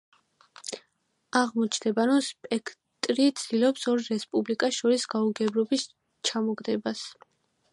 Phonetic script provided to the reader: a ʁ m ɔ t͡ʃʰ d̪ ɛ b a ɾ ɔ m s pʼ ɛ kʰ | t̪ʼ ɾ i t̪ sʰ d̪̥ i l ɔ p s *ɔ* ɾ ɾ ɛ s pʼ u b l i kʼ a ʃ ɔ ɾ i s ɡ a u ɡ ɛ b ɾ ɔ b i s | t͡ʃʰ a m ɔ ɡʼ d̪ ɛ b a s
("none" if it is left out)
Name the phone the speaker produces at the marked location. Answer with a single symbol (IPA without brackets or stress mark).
ɔ